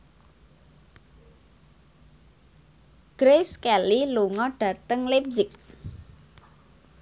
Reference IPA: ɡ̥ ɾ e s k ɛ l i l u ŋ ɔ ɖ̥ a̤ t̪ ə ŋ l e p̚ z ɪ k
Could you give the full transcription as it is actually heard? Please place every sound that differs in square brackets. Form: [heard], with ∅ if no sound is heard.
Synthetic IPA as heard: ɡ̥ ɾ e s k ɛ l i l u ŋ ɔ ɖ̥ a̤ t̪ ə ŋ l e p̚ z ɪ k